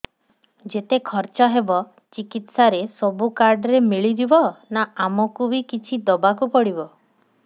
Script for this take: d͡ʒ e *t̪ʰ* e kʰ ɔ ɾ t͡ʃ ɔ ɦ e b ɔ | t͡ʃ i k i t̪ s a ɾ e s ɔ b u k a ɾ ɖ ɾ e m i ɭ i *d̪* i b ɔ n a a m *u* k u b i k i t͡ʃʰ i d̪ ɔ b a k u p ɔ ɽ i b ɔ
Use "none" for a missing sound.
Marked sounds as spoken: t̪, d̪, ɔ

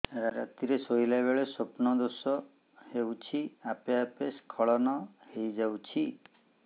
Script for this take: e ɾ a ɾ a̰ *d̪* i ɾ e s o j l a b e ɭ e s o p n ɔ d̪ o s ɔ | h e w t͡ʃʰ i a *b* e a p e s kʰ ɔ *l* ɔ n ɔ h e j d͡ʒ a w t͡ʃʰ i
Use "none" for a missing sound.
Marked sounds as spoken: t̪, p, ɭ

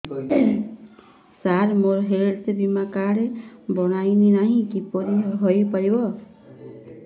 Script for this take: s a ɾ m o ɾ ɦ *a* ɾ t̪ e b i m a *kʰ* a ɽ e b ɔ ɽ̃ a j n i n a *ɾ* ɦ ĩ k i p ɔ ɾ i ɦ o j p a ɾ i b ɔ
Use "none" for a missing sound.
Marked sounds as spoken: e, k, none

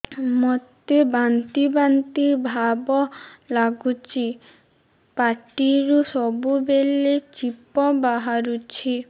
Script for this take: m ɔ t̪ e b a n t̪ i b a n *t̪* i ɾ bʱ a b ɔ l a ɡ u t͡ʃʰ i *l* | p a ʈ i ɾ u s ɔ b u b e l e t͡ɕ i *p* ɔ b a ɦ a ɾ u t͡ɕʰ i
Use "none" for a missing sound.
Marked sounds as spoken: t̪, none, p

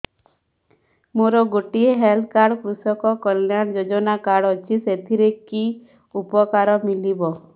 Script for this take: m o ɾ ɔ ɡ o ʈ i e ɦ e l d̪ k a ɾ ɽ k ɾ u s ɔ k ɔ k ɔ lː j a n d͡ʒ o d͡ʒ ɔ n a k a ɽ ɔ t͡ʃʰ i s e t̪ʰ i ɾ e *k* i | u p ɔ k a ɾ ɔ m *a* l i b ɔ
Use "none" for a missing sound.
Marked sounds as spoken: k, i

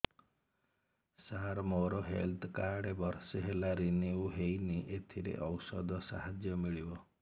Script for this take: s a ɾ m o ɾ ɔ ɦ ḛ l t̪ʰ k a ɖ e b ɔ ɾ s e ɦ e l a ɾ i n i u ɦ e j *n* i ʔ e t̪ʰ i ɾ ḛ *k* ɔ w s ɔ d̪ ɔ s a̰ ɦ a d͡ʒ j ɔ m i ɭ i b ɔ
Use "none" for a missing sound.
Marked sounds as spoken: n, ʔ

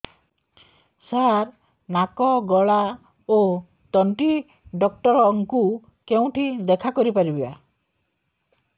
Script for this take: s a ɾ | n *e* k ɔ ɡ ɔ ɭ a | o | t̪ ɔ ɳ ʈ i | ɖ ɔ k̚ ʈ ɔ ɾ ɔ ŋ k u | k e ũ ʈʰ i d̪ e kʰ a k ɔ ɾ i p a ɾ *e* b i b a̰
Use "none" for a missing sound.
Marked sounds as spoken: a, i

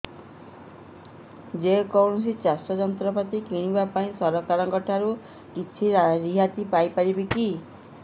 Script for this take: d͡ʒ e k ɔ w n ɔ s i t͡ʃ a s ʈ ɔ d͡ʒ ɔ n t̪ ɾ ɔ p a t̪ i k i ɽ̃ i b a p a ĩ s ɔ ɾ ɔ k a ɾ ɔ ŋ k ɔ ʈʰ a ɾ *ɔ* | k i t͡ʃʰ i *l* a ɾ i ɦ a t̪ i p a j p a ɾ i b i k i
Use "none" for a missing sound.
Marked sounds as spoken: u, ɾ

